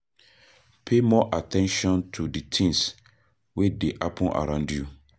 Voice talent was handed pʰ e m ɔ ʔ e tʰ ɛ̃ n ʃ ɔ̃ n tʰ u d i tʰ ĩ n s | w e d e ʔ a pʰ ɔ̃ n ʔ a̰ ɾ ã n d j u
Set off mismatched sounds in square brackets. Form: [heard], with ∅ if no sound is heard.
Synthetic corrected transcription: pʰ e m ɔ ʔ [a] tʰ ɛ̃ n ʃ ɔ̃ n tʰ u d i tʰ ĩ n s | w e d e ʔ a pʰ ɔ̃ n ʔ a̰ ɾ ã n d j u